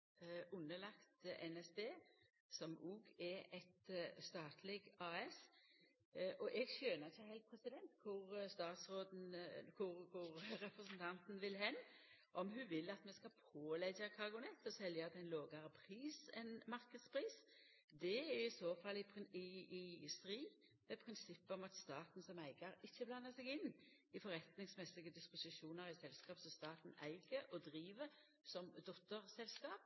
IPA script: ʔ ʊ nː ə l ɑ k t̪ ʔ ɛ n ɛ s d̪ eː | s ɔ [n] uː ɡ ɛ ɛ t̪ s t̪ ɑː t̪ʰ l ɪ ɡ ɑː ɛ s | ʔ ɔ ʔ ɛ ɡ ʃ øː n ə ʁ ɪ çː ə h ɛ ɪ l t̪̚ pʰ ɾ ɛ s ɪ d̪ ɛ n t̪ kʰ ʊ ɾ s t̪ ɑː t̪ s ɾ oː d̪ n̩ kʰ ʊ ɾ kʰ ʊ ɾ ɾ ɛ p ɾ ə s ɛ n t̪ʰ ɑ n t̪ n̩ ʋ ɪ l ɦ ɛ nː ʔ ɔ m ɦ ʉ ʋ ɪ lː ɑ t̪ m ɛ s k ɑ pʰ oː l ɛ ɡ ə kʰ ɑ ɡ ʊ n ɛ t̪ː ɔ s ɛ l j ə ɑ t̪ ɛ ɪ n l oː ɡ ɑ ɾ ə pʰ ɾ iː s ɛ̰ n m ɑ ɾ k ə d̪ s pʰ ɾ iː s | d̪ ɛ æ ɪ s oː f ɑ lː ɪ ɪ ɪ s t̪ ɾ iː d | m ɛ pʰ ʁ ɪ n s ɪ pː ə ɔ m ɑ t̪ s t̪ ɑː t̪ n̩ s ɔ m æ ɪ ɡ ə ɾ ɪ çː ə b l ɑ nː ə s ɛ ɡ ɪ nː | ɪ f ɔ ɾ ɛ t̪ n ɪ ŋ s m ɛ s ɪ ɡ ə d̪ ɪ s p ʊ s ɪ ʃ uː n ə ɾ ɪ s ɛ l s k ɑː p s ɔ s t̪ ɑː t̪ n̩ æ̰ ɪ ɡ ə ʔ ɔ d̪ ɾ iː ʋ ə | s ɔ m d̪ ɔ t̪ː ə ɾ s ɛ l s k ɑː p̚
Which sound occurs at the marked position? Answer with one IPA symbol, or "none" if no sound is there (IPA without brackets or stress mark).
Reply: m